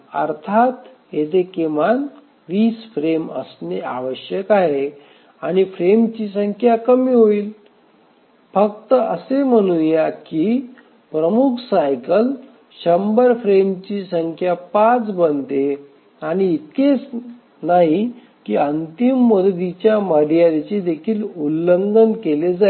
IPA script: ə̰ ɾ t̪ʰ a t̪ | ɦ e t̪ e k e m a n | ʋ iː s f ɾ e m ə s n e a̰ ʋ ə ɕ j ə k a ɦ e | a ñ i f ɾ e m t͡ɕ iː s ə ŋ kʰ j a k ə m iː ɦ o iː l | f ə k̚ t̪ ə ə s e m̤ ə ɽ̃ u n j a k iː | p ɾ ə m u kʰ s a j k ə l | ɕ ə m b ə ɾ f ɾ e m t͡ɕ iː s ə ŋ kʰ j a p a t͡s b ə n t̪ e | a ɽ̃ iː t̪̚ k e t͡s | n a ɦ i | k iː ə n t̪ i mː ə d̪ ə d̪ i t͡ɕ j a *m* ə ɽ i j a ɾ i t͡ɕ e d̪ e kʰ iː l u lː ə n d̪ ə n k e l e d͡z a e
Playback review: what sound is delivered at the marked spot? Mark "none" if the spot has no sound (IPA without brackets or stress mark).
m